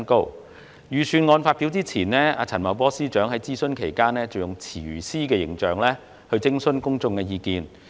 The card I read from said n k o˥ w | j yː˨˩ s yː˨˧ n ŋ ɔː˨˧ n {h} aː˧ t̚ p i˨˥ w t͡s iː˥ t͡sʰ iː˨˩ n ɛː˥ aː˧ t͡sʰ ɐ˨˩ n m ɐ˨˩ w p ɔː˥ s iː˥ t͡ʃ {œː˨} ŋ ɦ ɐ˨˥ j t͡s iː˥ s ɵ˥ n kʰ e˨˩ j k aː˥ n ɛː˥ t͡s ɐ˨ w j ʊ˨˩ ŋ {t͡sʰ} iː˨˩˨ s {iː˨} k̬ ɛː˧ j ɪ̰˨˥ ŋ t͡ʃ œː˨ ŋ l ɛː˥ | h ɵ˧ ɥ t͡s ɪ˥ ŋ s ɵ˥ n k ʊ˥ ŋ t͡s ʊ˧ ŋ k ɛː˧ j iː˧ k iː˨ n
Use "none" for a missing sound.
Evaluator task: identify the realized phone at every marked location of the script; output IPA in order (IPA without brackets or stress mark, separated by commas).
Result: f, œː˨˥, t͡sʰ, iː˥